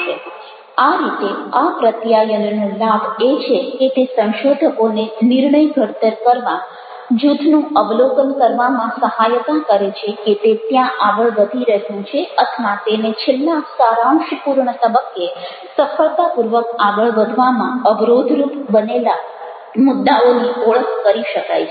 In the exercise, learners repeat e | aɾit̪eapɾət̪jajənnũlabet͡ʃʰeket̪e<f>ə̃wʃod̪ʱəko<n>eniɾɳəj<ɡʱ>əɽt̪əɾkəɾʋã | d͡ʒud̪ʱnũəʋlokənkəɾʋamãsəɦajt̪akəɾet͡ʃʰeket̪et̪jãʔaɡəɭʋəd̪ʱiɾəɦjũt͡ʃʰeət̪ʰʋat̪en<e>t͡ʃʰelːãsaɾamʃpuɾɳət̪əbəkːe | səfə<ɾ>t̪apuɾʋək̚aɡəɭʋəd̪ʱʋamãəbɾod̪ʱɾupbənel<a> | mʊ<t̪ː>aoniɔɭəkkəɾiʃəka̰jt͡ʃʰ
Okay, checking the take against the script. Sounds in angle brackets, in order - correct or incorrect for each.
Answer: incorrect: s, correct, correct, correct, incorrect: ɭ, correct, incorrect: d̪ː

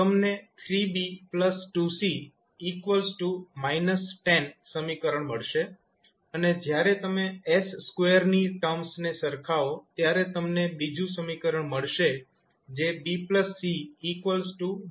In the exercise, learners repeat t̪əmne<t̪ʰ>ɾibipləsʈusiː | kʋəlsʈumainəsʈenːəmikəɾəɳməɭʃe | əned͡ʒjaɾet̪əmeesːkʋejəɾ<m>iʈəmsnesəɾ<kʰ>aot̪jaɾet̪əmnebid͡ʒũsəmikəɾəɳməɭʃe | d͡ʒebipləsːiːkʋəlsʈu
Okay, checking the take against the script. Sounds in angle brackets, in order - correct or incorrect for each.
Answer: correct, incorrect: n, correct

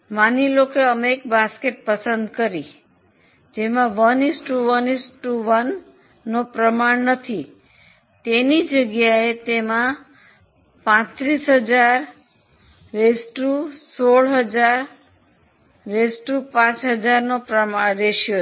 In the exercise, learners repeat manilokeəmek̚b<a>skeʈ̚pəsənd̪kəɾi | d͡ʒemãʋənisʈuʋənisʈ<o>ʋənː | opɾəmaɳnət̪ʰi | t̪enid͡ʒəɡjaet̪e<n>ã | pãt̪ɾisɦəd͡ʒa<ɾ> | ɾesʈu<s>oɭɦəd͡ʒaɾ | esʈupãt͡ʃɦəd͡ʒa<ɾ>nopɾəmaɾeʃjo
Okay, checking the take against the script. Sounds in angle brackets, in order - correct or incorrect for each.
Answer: correct, incorrect: u, incorrect: m, correct, correct, correct

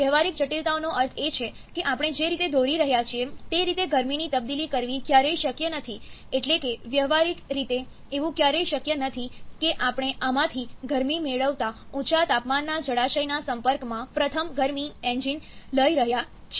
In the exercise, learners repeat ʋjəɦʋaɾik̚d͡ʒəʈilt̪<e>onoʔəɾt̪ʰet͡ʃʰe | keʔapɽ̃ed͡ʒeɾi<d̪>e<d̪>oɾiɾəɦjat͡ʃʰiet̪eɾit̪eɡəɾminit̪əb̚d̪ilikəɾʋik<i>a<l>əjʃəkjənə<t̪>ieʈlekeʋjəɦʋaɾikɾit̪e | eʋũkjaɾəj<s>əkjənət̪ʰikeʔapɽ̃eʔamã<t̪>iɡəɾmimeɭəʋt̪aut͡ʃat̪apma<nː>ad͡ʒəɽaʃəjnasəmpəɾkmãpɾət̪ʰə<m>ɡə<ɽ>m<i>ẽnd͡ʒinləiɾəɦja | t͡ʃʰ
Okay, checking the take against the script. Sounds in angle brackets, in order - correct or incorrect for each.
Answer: incorrect: a, incorrect: t̪, correct, incorrect: j, incorrect: ɾ, incorrect: t̪ʰ, incorrect: ʃ, incorrect: t̪ʰ, correct, correct, incorrect: ɾ, correct

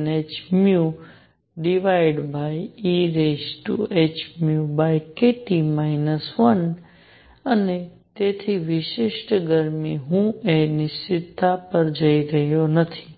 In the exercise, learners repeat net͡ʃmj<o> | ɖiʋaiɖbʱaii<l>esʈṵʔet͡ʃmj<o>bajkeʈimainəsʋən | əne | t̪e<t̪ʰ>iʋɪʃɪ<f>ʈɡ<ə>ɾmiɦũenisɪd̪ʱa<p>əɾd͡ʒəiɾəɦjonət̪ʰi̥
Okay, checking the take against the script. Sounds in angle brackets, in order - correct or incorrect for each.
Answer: incorrect: u, incorrect: ɾ, incorrect: u, correct, incorrect: ʃ, correct, correct

